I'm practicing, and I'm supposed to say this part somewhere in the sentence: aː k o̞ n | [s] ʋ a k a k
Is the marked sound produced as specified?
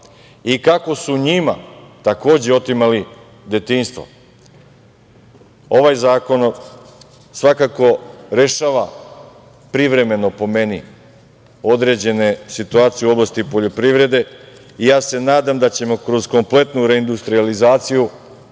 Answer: yes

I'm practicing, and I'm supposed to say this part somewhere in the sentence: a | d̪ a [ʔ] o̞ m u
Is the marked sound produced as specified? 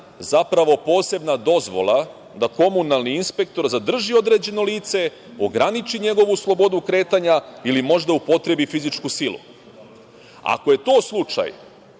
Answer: no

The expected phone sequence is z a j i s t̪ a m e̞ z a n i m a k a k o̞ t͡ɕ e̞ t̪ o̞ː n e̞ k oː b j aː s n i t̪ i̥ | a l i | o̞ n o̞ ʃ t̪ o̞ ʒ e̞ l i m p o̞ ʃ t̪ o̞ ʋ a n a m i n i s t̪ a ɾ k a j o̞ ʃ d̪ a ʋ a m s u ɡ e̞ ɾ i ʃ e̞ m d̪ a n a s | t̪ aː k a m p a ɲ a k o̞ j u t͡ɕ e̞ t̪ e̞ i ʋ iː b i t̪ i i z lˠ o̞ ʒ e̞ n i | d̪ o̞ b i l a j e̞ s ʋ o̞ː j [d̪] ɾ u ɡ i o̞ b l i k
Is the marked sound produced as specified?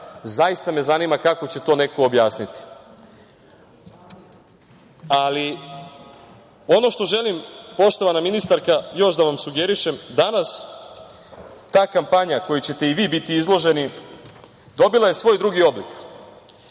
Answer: yes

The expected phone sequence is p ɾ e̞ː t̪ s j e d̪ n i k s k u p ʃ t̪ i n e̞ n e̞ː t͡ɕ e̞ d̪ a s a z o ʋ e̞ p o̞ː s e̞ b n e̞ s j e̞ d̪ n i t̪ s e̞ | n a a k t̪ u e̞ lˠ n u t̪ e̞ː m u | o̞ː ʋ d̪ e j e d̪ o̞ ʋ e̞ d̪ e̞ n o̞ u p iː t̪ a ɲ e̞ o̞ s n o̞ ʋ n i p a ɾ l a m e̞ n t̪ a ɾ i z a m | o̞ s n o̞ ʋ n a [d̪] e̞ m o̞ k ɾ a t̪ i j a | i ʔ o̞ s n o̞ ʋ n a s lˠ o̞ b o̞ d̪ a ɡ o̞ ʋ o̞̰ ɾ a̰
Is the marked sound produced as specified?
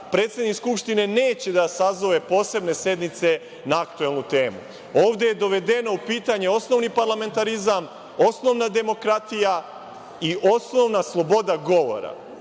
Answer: yes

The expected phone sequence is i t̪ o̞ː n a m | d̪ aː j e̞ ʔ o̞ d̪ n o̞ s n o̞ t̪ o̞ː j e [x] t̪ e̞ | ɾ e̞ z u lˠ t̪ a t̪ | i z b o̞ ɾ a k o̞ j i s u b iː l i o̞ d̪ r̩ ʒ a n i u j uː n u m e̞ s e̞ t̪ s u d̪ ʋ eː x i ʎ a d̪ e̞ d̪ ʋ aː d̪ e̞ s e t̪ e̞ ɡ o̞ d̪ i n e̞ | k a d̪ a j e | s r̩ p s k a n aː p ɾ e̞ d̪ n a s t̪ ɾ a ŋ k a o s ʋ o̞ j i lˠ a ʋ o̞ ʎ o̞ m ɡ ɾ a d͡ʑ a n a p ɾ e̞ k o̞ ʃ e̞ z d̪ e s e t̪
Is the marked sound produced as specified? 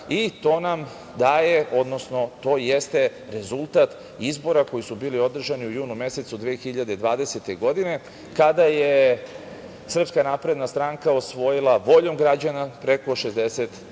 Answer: no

